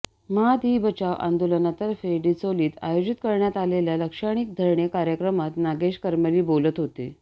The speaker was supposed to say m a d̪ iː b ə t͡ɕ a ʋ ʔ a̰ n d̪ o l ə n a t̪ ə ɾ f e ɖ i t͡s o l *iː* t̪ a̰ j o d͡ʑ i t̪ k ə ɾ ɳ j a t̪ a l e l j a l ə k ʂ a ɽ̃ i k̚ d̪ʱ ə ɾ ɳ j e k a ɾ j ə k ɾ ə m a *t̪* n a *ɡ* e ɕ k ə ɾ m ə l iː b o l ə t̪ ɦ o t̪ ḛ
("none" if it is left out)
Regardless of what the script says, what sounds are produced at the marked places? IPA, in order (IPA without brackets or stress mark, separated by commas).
iː, t̪, ɡ